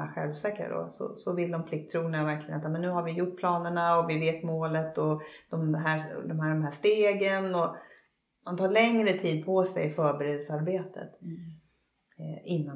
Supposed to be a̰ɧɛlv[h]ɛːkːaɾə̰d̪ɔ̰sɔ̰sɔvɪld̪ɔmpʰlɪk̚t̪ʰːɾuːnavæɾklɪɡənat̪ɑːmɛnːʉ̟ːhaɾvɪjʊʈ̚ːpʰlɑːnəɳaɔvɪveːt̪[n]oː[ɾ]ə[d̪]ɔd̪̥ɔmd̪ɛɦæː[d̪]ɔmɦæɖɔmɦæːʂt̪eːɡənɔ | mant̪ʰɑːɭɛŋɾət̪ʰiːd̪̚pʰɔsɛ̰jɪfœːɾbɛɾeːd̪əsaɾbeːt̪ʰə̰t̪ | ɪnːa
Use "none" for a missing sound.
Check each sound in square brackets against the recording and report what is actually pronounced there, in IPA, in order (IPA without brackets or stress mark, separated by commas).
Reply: s, m, l, t̪, d̪